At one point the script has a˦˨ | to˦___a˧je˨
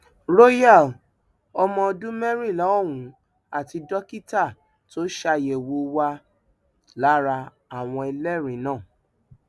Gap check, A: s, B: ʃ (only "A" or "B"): B